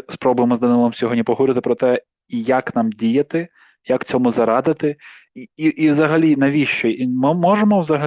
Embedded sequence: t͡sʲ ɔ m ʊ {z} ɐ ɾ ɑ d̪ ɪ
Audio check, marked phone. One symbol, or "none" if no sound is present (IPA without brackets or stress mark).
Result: z